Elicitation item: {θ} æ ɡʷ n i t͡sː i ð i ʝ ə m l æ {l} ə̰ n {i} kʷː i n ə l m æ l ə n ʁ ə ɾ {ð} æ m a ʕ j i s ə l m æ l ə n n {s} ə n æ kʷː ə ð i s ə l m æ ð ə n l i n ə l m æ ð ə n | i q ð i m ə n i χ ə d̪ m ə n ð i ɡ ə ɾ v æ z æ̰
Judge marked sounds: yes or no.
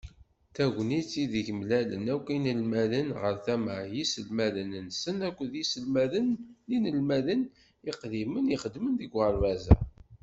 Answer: yes, yes, no, no, yes

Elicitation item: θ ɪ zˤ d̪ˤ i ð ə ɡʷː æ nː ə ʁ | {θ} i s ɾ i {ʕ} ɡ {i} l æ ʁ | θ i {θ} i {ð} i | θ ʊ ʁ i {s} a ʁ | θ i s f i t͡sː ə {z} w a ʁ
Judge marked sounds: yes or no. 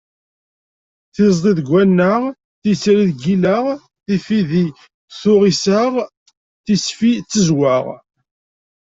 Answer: yes, no, yes, no, yes, yes, yes

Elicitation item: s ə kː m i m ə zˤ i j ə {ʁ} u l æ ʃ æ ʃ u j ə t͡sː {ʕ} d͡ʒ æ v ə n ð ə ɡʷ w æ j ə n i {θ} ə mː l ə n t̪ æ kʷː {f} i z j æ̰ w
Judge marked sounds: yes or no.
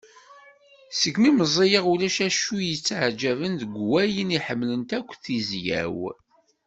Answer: yes, yes, no, no

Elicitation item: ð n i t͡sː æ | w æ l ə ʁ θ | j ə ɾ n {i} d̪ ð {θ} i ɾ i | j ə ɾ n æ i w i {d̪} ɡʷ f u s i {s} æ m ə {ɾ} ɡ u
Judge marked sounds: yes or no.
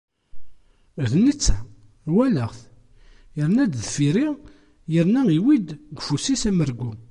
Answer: no, no, yes, yes, yes

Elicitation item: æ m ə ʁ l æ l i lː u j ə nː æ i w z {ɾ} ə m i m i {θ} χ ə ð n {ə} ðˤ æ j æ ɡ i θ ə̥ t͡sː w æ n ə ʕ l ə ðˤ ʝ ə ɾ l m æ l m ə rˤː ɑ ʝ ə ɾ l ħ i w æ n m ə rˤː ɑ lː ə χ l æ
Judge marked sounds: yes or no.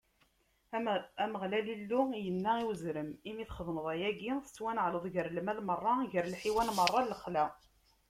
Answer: yes, yes, yes

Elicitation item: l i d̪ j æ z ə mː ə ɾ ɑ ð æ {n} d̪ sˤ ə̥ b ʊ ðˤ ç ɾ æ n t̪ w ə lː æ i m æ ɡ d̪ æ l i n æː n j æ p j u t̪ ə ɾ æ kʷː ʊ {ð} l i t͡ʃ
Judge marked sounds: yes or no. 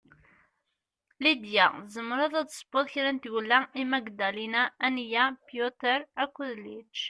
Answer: no, yes

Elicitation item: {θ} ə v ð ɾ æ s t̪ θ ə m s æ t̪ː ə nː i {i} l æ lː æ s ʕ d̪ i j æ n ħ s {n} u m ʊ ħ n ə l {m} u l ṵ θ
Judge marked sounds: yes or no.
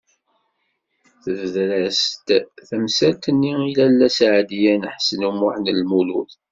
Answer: yes, yes, yes, yes

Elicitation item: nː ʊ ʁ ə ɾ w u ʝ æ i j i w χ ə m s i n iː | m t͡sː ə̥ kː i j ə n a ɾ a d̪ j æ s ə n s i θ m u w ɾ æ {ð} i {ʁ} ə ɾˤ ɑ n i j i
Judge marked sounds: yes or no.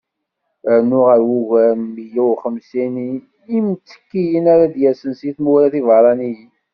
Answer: no, no

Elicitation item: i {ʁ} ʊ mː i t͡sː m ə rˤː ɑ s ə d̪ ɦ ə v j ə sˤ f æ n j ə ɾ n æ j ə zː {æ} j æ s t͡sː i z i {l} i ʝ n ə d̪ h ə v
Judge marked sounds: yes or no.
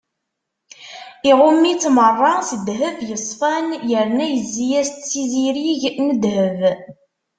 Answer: yes, no, no

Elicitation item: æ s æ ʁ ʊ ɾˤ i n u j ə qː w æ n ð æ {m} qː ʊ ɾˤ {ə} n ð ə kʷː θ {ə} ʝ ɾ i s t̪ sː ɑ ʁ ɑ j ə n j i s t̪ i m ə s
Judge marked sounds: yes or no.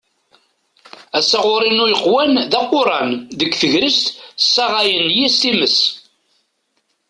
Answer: no, no, yes

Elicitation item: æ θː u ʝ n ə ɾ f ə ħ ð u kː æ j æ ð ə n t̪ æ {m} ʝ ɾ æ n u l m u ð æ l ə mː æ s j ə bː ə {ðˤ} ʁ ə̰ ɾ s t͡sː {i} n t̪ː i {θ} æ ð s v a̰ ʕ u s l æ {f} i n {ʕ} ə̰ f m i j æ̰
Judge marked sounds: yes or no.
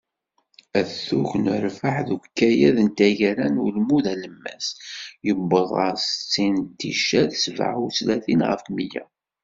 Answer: no, yes, yes, no, no, no

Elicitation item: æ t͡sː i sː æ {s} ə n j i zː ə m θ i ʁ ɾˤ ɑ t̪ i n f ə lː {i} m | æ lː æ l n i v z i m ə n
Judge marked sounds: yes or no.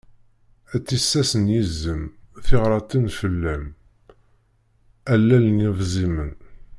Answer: yes, no

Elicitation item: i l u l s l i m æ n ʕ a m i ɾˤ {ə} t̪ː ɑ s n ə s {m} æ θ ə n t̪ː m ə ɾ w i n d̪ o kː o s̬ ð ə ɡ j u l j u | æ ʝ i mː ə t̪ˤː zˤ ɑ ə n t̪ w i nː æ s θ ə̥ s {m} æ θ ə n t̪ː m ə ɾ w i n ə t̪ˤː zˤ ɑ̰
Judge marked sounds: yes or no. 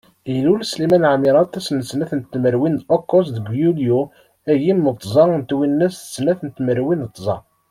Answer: no, no, no

